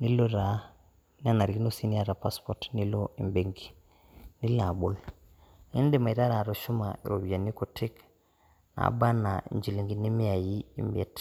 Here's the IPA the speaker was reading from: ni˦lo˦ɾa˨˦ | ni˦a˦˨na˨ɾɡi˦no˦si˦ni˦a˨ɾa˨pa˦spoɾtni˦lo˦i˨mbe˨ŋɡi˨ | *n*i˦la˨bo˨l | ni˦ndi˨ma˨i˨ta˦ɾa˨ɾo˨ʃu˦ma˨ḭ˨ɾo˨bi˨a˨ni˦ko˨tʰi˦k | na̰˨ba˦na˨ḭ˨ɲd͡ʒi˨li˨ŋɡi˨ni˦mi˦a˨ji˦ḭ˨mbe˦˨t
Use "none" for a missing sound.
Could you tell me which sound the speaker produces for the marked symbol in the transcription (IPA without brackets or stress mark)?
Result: n